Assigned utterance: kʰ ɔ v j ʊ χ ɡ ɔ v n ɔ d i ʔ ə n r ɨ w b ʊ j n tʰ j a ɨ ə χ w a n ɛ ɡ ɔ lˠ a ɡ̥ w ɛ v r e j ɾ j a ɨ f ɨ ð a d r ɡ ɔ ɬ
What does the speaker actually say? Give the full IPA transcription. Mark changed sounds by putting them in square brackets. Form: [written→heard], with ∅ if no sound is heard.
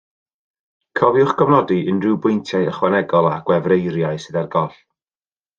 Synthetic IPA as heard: kʰ ɔ v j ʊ χ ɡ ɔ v n ɔ d i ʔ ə n r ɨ w b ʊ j n tʰ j a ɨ ə χ w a n ɛ ɡ ɔ lˠ a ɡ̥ w ɛ v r e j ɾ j a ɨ [f→s] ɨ ð a [d→∅] r ɡ ɔ ɬ